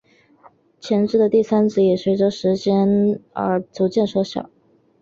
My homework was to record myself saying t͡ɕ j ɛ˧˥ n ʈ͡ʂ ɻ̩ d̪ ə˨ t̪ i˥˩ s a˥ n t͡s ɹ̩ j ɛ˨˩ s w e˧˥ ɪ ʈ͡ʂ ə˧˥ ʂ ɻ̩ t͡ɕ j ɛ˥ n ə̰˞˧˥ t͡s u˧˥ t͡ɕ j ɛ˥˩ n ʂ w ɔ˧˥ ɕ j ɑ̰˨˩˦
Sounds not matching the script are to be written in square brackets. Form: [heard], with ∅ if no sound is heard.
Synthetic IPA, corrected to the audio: [t͡ɕʰ] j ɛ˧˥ n ʈ͡ʂ ɻ̩ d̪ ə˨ t̪ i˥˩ s a˥ n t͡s ɹ̩ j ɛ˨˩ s w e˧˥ ɪ ʈ͡ʂ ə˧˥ ʂ ɻ̩ t͡ɕ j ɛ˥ n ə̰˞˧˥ t͡s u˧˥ t͡ɕ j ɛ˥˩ n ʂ w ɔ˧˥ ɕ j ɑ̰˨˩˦